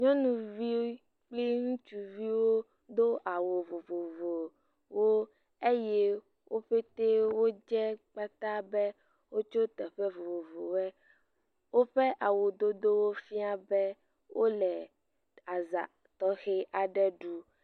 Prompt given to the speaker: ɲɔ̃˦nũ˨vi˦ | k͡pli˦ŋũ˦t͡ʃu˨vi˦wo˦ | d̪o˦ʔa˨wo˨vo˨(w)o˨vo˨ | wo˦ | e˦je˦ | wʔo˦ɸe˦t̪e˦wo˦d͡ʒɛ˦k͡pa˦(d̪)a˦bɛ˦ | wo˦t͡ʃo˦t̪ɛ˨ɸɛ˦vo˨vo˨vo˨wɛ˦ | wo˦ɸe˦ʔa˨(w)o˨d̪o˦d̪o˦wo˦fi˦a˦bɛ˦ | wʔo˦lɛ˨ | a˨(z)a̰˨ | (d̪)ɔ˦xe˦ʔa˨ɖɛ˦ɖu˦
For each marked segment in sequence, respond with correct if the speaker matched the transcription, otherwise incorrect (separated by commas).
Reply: incorrect, incorrect, correct, correct, incorrect